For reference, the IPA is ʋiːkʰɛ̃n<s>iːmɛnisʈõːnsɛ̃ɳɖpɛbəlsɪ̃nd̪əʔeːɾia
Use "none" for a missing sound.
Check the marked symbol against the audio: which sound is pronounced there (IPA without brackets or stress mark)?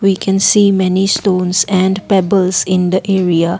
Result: s